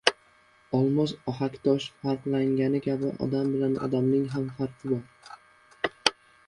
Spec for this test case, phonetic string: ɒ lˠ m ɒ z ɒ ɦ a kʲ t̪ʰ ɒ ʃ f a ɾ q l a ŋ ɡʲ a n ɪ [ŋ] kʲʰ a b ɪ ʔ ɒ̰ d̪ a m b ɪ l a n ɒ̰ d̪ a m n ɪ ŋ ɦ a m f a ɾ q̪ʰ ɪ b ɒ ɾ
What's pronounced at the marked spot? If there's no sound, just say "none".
none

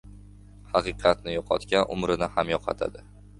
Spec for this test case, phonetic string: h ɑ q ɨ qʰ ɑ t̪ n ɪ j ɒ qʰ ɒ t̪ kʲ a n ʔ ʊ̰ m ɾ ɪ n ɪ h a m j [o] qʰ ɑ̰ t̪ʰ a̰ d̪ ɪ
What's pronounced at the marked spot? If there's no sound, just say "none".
ɒ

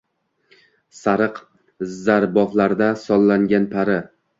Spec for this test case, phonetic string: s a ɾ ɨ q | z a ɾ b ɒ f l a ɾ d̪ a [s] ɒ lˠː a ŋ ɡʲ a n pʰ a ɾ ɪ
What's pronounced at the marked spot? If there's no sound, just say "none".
s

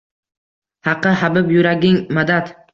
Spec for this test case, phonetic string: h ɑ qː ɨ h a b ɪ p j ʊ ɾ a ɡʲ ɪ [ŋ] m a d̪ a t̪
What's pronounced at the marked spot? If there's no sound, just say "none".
ŋ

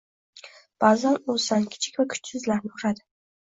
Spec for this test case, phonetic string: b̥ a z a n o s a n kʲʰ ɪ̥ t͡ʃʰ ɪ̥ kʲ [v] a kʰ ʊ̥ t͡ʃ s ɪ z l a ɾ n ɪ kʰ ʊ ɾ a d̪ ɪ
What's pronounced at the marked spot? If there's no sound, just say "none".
v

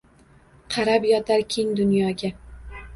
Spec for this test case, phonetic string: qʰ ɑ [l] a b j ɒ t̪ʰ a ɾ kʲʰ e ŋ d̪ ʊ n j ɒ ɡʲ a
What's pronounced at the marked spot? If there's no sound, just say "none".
ɾ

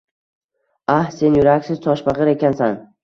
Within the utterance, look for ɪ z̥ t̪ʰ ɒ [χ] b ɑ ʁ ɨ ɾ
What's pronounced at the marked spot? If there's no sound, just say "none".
ʃ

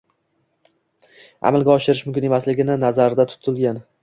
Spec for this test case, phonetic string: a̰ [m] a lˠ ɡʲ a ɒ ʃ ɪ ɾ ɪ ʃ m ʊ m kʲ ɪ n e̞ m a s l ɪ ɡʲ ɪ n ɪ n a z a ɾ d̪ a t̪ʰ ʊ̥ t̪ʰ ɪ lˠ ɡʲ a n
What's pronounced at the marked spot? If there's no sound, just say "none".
m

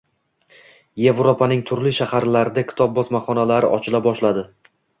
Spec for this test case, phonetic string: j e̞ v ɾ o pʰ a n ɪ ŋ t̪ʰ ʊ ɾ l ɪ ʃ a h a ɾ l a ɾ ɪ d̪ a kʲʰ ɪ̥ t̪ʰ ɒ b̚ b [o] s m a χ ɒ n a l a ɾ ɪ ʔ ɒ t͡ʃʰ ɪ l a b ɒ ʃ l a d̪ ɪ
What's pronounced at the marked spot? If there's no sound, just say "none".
ɒ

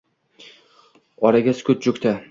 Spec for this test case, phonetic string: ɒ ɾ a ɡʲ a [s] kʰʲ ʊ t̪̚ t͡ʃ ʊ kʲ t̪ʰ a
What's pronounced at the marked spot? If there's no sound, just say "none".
s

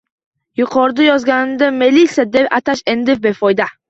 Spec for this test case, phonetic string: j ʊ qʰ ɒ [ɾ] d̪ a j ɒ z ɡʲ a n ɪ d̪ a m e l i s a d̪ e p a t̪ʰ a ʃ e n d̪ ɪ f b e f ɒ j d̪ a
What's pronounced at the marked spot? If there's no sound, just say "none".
ɾ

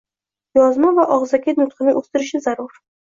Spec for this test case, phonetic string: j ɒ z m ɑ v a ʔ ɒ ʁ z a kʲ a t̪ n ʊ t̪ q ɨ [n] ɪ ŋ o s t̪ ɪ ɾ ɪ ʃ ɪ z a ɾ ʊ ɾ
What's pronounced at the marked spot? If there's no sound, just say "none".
n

